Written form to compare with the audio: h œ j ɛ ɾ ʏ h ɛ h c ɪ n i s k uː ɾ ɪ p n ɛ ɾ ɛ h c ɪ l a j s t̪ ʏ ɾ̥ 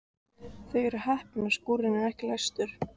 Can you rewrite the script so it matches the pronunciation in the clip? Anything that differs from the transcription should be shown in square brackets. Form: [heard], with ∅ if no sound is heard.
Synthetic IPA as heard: [θ] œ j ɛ ɾ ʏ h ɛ h [p] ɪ n [a] s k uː ɾ ɪ [∅] n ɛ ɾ ɛ h c ɪ l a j s t̪ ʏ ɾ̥